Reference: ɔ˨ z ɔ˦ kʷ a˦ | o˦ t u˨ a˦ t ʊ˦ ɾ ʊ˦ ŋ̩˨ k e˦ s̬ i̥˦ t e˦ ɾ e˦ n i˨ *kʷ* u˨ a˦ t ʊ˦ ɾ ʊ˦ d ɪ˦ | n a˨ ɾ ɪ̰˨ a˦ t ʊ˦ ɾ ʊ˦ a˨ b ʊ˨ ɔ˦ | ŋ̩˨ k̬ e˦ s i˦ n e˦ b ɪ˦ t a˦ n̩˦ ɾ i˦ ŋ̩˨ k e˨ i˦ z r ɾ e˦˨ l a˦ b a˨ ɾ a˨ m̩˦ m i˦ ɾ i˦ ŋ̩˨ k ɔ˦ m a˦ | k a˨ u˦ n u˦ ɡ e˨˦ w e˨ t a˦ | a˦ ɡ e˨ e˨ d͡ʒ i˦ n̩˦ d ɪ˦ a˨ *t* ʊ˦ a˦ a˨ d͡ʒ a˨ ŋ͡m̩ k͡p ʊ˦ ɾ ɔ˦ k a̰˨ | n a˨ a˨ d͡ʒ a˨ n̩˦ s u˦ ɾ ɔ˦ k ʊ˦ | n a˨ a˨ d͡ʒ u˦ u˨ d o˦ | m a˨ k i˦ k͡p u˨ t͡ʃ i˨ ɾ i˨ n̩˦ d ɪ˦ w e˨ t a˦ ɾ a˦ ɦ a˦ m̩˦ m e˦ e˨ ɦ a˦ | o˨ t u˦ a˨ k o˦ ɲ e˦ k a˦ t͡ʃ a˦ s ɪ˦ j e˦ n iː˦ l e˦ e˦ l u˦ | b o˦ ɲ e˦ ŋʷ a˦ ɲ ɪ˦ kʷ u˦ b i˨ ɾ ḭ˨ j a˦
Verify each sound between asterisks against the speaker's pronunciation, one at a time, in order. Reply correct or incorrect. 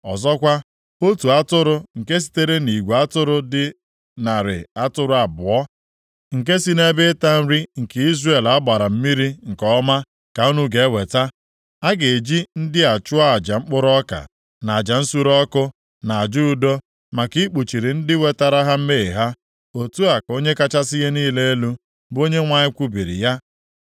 incorrect, incorrect

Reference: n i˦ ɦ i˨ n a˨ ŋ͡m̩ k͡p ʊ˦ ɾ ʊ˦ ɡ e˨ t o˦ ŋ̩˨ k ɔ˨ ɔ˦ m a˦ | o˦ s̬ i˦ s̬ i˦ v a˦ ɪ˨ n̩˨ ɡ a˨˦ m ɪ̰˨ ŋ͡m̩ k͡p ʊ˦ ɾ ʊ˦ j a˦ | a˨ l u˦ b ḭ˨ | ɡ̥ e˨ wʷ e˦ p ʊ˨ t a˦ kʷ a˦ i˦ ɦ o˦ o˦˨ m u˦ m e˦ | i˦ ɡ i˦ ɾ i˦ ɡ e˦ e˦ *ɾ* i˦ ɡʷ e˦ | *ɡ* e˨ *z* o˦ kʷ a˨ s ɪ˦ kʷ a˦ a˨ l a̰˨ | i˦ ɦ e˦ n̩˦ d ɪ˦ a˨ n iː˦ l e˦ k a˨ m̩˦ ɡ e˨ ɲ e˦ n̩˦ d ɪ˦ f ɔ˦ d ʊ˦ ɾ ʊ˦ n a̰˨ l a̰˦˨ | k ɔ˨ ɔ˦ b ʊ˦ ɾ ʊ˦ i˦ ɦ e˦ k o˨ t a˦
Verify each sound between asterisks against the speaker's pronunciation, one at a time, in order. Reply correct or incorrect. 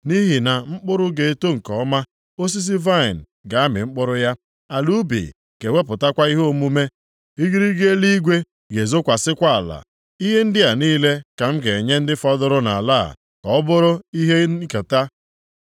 incorrect, correct, correct

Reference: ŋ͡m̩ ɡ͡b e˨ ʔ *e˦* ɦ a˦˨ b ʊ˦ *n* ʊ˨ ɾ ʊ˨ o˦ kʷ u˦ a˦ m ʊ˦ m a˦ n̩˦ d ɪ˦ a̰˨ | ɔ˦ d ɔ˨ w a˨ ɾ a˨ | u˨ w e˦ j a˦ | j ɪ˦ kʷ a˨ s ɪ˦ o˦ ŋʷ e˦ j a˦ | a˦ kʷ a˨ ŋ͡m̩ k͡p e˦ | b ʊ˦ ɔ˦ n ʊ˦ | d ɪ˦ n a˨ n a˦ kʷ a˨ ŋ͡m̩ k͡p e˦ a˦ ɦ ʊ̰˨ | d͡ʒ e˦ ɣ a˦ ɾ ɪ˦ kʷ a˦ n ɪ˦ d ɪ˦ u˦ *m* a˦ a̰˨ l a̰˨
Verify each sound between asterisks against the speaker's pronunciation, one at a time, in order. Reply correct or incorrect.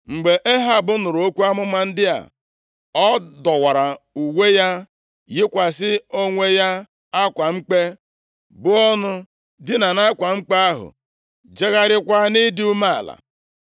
correct, correct, correct

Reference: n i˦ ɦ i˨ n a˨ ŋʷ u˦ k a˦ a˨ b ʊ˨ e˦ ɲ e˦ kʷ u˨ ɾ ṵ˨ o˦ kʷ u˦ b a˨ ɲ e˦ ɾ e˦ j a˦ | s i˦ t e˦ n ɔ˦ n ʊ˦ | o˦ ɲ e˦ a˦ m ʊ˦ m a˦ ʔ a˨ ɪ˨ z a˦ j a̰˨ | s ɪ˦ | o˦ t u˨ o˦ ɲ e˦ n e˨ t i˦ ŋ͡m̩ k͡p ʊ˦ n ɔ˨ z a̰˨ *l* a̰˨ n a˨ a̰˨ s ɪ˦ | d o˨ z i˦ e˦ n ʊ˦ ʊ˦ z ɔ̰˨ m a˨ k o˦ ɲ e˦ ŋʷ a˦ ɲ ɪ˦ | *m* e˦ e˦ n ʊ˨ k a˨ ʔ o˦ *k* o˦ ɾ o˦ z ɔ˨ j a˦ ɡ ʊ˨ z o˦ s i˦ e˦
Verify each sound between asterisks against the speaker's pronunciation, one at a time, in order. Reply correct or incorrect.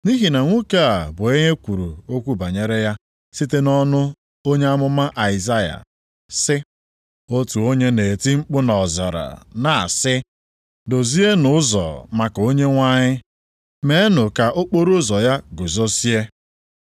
incorrect, correct, incorrect

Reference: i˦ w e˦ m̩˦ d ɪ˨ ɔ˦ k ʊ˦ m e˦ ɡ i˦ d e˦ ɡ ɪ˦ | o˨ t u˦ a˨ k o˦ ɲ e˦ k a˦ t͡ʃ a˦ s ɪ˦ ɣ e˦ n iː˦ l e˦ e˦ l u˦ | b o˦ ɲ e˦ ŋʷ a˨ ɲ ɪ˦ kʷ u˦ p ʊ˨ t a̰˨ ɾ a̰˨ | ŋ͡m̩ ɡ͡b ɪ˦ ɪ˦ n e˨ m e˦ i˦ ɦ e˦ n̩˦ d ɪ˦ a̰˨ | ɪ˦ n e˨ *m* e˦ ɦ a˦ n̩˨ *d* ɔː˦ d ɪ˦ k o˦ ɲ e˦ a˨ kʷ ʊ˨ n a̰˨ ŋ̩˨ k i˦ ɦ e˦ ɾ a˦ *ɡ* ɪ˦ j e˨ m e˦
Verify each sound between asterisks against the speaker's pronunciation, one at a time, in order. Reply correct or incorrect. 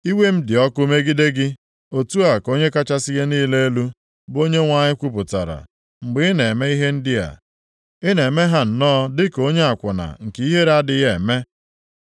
correct, incorrect, incorrect

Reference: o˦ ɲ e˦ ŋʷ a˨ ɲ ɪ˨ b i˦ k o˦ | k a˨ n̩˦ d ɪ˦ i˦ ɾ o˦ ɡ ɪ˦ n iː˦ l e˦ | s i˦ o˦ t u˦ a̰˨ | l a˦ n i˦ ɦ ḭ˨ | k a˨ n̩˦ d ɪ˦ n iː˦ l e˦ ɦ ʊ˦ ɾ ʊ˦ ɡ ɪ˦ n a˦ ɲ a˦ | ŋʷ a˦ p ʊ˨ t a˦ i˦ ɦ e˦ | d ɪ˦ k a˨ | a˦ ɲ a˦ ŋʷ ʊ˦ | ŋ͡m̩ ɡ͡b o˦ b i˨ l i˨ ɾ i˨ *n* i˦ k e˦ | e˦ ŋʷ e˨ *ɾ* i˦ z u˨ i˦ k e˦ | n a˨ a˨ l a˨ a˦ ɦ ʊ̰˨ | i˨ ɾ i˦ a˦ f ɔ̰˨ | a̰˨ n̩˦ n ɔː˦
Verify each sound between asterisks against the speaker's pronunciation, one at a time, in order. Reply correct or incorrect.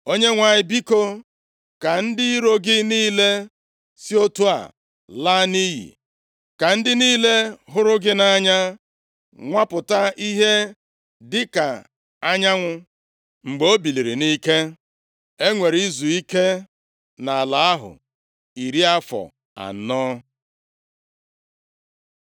correct, correct

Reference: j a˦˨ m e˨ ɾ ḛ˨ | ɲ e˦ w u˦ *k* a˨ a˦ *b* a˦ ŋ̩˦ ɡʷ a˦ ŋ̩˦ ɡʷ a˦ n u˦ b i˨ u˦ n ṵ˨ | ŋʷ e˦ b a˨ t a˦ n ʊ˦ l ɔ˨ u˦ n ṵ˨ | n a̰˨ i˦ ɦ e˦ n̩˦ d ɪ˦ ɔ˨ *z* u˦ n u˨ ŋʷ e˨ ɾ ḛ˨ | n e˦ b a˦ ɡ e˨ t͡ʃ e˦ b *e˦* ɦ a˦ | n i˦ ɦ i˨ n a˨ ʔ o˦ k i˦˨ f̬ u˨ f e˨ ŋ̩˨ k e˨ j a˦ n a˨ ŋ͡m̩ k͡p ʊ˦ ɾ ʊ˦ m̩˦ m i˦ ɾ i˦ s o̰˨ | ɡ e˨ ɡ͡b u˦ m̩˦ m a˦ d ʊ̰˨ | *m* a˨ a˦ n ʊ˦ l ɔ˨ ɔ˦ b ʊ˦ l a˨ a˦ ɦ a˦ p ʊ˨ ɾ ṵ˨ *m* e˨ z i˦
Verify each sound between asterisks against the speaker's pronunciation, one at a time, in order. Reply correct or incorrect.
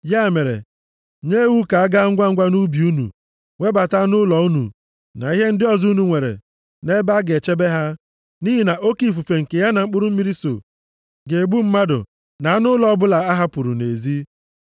correct, incorrect, correct, correct, incorrect, incorrect

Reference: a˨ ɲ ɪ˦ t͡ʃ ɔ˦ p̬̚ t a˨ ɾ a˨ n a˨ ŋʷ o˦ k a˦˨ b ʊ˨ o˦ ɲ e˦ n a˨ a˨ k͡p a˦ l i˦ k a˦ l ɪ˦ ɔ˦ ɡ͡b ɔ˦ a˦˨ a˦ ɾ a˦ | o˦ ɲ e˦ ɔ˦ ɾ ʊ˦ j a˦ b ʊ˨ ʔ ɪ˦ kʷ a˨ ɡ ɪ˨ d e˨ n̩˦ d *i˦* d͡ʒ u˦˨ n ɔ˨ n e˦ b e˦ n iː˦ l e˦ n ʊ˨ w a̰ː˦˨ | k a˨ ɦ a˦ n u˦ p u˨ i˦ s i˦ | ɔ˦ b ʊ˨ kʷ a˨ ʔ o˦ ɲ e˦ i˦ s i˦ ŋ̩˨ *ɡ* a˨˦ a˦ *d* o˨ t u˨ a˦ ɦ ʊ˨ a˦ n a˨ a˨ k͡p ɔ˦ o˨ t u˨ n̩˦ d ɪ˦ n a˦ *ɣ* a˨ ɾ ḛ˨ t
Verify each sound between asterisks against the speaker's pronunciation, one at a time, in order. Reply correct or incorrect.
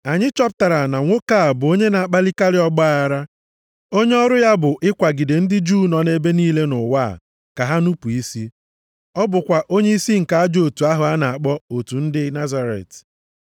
incorrect, incorrect, incorrect, incorrect

